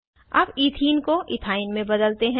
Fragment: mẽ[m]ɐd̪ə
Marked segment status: incorrect: b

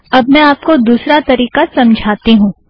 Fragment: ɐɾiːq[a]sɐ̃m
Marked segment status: correct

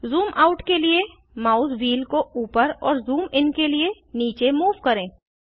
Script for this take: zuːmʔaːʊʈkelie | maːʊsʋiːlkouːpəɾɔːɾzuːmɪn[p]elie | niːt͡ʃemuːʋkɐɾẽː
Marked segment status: incorrect: k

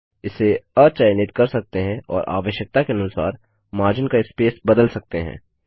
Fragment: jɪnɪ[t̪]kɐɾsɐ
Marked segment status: correct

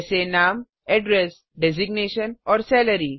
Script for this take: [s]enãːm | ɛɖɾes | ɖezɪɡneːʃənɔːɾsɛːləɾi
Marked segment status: correct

